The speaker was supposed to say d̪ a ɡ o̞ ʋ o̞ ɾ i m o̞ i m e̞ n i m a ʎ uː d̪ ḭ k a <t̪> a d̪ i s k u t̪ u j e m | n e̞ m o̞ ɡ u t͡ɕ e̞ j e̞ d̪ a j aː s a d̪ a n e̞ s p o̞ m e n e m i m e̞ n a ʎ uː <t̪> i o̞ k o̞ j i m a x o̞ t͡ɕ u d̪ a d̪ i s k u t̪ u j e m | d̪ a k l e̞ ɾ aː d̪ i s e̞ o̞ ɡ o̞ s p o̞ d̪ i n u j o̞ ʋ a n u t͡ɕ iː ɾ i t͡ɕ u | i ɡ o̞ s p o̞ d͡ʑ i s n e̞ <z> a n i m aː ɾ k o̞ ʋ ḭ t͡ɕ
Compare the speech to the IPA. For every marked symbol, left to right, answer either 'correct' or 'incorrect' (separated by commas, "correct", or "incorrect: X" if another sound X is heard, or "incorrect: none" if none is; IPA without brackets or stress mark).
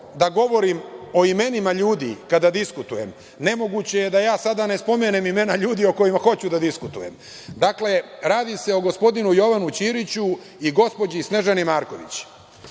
incorrect: d̪, incorrect: d̪, incorrect: ʒ